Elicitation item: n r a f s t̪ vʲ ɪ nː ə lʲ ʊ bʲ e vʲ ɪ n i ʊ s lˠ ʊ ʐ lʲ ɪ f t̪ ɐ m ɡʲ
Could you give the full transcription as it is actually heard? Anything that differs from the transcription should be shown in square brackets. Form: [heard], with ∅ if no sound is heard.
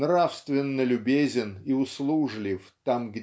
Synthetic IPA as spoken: n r a f s t̪ vʲ ɪ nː ə lʲ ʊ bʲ e [zʲ] ɪ n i ʊ s lˠ [u] ʐ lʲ ɪ f t̪ [a] m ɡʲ